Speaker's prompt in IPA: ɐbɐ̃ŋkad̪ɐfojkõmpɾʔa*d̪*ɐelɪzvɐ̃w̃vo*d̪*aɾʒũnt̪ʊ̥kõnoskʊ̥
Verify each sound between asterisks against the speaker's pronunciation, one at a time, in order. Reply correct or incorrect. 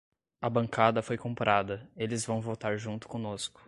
correct, incorrect: t̪

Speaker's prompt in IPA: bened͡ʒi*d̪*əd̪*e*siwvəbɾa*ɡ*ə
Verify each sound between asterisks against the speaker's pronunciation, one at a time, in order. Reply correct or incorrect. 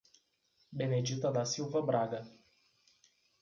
incorrect: t̪, incorrect: a, correct

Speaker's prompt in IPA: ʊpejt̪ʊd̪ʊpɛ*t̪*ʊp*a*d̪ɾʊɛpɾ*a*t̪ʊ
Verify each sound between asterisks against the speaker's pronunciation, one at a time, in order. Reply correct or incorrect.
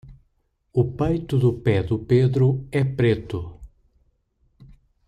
incorrect: d̪, incorrect: e, incorrect: e

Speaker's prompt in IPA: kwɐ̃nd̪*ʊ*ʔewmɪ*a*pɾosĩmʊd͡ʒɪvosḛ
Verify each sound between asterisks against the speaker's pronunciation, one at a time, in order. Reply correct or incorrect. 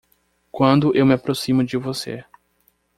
correct, correct

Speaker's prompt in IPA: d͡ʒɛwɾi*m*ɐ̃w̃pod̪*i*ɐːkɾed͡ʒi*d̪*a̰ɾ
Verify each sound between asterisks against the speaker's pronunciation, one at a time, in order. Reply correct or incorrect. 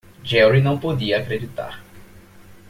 incorrect: n, correct, incorrect: t̪

